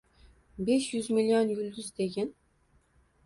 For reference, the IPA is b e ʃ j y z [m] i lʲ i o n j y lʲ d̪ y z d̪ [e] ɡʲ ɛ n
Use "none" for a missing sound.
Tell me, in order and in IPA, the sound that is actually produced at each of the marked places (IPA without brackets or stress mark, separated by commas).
m, e